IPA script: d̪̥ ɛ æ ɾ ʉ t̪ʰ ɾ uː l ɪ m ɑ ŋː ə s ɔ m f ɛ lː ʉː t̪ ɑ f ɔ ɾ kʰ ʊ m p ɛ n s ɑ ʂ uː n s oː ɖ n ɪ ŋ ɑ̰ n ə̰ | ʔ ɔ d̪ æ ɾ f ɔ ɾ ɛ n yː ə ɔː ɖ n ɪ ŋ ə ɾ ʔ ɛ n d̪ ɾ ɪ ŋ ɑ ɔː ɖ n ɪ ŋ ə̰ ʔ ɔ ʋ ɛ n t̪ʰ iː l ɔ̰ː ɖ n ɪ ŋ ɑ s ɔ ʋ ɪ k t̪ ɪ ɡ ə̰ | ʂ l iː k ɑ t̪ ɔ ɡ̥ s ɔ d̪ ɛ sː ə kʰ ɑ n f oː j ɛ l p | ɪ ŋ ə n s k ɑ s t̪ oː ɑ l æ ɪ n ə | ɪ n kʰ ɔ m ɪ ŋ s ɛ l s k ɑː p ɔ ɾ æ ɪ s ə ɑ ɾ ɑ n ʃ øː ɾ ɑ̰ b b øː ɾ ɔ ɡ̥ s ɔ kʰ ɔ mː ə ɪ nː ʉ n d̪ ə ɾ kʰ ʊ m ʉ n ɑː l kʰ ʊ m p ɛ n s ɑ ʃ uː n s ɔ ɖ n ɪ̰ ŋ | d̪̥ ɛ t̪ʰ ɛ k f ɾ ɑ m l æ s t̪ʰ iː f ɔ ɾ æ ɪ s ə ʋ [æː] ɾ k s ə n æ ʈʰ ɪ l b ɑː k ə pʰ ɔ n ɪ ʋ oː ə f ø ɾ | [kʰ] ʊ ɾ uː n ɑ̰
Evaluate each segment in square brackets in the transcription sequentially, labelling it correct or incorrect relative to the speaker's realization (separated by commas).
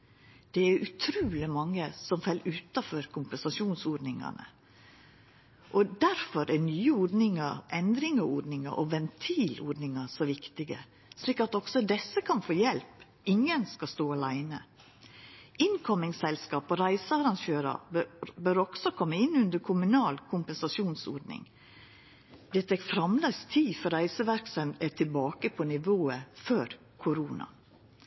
incorrect, correct